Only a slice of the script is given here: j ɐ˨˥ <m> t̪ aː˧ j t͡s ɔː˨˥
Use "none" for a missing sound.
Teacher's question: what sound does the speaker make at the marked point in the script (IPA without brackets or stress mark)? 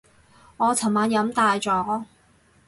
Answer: m